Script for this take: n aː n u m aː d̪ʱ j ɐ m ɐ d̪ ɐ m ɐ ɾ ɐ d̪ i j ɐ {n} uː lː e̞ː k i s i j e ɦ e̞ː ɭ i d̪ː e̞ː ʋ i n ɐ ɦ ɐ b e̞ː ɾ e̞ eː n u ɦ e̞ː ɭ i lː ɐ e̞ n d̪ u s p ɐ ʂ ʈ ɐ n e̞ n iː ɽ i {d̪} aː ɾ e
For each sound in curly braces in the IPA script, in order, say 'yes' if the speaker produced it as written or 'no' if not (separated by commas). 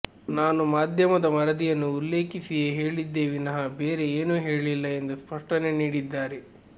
no, no